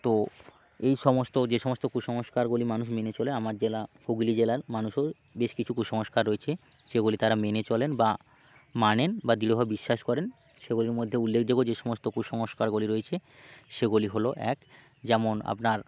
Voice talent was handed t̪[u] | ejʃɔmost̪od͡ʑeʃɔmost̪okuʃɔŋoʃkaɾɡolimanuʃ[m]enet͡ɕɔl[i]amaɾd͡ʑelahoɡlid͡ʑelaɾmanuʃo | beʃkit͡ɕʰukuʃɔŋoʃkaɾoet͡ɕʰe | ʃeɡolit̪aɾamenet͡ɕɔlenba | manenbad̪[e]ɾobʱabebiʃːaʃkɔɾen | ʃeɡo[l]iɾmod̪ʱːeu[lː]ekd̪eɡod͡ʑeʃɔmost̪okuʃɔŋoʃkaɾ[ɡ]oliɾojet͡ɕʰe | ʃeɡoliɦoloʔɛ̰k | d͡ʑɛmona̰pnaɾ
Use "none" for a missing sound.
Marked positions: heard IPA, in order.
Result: o, m, e, i, l, lː, ɡ

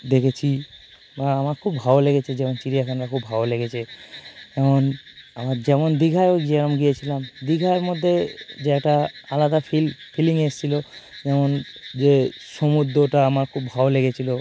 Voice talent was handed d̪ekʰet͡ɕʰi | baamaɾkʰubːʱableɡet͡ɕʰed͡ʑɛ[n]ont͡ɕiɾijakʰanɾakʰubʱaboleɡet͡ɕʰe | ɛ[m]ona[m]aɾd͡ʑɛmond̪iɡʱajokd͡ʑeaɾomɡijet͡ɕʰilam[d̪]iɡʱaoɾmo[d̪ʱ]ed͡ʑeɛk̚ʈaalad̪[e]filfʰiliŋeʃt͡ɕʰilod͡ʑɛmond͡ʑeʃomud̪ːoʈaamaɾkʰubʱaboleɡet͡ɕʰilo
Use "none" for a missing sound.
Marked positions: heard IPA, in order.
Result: m, m, m, d̪, d̪ʱː, a

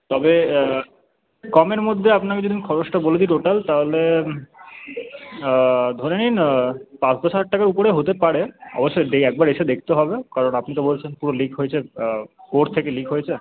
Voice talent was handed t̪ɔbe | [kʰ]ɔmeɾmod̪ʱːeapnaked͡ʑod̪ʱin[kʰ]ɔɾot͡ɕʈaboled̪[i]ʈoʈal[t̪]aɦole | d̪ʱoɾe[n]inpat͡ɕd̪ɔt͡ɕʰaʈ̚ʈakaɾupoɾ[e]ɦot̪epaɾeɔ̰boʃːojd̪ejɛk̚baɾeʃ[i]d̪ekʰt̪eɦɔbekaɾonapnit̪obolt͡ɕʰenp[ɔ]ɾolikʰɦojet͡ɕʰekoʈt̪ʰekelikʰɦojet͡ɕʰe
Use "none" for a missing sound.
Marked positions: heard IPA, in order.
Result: k, kʰ, i, t̪, n, e, e, u

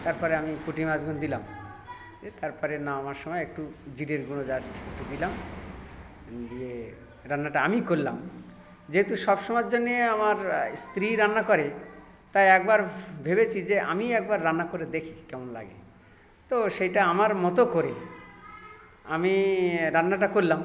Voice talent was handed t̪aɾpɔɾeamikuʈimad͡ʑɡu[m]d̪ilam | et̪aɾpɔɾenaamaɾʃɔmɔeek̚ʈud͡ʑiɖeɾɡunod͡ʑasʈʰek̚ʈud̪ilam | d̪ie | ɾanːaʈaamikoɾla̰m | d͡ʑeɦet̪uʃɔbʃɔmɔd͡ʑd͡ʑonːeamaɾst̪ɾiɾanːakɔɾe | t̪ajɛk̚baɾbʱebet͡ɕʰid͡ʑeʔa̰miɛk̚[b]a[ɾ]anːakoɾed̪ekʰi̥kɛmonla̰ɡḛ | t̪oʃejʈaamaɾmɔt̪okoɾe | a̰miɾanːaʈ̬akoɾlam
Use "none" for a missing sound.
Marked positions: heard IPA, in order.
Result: n, b, ɾː

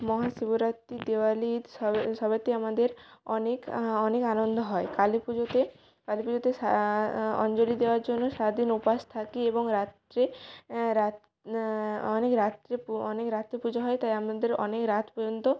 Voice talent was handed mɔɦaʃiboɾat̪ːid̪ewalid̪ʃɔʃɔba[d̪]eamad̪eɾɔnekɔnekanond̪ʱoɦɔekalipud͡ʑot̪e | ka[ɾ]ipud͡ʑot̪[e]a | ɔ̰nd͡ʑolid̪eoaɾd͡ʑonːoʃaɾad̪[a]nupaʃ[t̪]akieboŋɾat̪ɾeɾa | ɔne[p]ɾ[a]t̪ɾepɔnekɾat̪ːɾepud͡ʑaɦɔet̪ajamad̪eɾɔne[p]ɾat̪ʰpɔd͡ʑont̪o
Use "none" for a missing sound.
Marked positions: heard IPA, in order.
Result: t̪, l, e, i, t̪ʰ, k, a, k

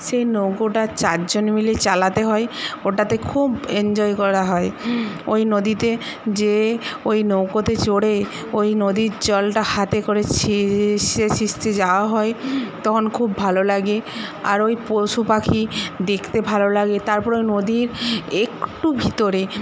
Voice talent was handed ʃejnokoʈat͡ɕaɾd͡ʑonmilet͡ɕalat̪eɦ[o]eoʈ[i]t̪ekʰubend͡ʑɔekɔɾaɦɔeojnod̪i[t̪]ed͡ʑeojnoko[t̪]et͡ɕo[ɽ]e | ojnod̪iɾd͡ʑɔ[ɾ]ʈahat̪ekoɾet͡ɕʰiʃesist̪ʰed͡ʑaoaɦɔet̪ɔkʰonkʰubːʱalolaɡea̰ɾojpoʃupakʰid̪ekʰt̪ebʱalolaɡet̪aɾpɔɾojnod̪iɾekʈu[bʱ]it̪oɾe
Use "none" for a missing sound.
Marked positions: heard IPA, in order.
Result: ɔ, a, t̪, t̪, ɽ, l, bʱ

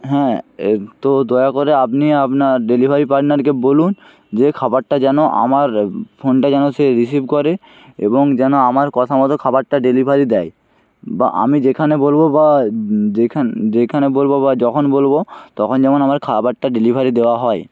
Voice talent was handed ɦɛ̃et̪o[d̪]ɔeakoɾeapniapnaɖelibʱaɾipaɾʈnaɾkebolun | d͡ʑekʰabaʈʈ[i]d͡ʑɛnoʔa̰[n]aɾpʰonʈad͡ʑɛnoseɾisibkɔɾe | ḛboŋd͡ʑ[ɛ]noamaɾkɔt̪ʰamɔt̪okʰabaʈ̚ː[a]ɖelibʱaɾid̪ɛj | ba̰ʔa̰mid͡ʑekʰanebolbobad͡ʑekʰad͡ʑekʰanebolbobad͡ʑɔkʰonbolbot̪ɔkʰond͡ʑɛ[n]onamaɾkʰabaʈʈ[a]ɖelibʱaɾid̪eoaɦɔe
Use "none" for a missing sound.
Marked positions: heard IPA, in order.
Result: d̪, a, m, ɛ, a, m, a

